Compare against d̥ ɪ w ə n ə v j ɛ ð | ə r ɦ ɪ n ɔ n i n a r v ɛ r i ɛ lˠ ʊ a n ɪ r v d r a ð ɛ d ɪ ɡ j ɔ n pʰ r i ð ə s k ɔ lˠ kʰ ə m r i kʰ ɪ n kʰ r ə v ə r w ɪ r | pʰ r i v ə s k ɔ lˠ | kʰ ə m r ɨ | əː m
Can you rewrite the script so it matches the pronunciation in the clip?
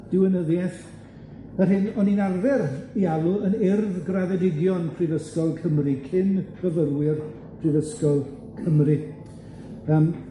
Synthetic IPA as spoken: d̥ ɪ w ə n ə ð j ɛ θ | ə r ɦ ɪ n ɔ n i n a r v ɛ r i a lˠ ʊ ə n ɪ r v ɡ r a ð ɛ d ɪ ɡ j ɔ n pʰ r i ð ə s k ɔ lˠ kʰ ə m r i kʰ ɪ n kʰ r ə v ə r w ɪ r | pʰ r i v ə s k ɔ lˠ | kʰ ə m r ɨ | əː m